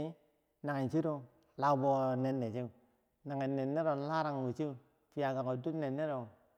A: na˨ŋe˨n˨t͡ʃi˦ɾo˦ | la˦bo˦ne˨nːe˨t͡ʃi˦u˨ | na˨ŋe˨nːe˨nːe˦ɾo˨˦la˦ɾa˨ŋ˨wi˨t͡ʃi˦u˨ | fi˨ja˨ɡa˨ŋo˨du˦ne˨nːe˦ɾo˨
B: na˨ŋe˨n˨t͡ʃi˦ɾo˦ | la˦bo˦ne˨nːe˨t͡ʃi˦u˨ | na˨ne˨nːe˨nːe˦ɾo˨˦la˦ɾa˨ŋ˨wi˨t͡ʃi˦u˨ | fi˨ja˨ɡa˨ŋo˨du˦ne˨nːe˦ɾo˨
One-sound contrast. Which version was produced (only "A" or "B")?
A